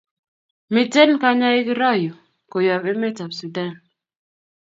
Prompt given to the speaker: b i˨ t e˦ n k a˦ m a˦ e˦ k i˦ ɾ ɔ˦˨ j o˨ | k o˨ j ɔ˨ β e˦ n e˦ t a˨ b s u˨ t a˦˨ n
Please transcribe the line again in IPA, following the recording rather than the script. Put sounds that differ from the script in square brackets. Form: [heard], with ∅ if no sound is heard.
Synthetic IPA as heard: [m] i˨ t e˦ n k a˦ [ɲ] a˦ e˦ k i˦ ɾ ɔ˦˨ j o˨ | k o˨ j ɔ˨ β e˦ [m] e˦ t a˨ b s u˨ [d] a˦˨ n

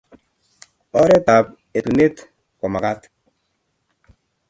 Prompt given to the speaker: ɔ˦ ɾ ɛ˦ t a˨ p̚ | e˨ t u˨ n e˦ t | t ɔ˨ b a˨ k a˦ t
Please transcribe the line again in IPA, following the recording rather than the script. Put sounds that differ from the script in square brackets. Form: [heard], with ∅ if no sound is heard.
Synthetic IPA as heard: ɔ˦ ɾ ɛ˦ t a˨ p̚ | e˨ t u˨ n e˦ t | [k] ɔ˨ [m] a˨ k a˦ t

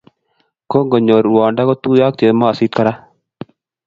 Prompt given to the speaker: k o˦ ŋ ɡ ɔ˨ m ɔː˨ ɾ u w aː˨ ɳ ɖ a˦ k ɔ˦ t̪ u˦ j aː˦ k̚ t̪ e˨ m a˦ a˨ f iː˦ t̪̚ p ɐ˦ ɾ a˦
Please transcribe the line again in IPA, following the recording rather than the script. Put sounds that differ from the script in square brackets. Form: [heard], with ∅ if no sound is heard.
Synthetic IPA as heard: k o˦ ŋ ɡ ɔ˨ [ɲ] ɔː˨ ɾ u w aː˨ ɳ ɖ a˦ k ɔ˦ t̪ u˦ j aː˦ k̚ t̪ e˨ m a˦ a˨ [s] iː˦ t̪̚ [k] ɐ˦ ɾ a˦

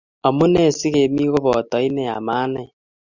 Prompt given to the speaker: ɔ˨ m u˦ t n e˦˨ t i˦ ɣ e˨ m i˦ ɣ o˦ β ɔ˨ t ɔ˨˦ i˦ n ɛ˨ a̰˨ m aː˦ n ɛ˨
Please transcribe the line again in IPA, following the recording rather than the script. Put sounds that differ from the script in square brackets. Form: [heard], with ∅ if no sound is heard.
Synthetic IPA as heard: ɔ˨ m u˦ [∅] n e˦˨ [s] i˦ ɣ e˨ m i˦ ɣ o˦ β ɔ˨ t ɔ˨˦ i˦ n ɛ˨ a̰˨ m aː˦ n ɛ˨

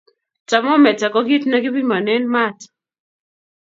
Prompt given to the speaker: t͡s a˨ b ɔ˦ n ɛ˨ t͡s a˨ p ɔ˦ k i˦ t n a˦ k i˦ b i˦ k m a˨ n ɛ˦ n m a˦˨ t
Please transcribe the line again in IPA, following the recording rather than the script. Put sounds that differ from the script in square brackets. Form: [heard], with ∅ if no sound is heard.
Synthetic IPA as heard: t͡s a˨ [m] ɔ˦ [m] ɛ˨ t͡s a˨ [k] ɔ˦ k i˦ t n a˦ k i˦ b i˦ [∅] m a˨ n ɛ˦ n m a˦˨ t

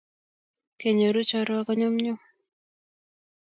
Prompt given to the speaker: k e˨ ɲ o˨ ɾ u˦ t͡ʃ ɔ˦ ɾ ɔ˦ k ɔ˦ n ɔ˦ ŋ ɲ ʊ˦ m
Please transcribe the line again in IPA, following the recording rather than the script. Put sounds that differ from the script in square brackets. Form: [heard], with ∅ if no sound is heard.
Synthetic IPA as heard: k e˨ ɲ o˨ ɾ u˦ t͡ʃ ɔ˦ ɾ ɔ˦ k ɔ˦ [ɲ] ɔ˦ [m] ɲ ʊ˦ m

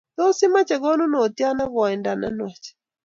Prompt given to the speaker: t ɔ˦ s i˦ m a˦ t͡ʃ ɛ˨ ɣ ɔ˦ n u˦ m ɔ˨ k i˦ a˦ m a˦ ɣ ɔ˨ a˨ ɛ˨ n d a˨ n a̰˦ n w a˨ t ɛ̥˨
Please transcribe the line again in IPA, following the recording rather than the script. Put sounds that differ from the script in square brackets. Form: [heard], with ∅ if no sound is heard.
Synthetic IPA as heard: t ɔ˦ s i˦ m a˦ t͡ʃ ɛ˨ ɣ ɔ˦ n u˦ [n] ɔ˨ [t] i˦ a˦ [n] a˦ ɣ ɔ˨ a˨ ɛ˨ n d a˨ n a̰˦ n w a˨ [t͡ʃ] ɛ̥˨

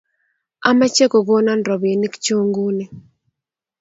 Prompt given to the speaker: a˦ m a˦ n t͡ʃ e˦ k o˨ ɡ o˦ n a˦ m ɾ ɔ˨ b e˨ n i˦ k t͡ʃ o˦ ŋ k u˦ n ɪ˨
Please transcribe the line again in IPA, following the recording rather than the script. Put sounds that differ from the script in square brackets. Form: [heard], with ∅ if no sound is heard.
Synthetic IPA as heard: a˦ m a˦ [∅] t͡ʃ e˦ k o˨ ɡ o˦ n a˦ [n] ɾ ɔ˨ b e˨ n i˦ k t͡ʃ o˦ ŋ [ɡ] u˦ n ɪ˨

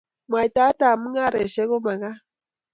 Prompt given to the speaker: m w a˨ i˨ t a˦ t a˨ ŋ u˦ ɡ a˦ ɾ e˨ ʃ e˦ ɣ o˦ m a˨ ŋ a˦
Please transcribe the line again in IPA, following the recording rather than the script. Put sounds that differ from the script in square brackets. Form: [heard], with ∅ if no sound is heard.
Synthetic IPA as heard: m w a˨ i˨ t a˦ t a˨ [m] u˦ [ŋ] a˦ ɾ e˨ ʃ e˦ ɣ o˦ m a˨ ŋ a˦

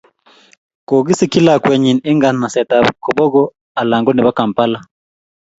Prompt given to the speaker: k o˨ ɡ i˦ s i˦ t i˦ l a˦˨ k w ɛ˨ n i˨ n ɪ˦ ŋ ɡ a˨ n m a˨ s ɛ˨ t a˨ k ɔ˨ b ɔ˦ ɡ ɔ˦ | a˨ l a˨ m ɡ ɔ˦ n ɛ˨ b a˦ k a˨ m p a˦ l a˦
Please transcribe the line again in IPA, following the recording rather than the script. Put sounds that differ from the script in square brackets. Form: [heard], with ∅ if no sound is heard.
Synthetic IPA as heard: k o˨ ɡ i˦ s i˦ [k] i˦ l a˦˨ k w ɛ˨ [ɲ] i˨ n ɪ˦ ŋ ɡ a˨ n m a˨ s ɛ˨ t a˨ k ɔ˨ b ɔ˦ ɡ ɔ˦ | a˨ l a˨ [ŋ] ɡ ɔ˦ n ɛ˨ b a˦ k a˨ m p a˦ l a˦

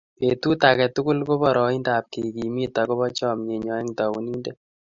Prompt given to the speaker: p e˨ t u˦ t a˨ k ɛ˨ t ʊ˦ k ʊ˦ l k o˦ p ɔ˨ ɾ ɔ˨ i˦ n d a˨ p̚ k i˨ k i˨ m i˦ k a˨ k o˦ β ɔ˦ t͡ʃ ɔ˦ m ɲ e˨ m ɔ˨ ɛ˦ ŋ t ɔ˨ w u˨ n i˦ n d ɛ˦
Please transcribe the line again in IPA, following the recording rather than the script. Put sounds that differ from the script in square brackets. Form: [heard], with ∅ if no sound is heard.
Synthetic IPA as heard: p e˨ t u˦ t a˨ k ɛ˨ t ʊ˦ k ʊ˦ l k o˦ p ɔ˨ ɾ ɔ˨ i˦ n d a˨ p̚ k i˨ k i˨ m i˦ [t] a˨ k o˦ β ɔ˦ t͡ʃ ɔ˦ m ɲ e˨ [ɲ] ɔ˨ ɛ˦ ŋ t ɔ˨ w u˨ n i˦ n d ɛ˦

